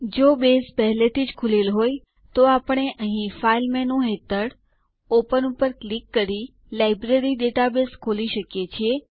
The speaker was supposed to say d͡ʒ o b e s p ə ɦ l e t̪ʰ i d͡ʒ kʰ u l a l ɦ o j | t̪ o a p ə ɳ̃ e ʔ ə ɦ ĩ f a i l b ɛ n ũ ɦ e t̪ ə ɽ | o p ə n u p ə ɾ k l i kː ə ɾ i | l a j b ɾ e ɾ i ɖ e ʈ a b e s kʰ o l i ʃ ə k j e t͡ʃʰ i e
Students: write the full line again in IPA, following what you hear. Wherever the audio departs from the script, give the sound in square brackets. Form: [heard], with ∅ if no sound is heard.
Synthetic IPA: d͡ʒ o b e s p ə ɦ l e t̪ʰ i d͡ʒ kʰ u l [e] l ɦ o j | t̪ o a p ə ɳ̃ e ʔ ə ɦ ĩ f a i l [m] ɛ n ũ ɦ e t̪ ə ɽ | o p ə n u p ə ɾ k l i kː ə ɾ i | l a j b ɾ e ɾ i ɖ e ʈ a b e s kʰ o l i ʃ ə k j e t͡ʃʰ i e